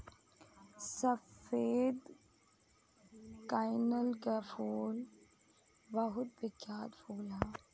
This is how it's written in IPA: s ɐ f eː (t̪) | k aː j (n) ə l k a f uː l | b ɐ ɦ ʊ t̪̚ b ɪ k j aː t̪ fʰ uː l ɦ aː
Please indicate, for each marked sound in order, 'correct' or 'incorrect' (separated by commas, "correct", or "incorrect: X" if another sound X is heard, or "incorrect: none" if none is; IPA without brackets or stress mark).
incorrect: d̪, correct